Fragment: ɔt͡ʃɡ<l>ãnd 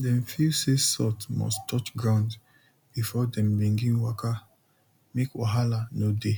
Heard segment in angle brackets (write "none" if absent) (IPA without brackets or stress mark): ɹ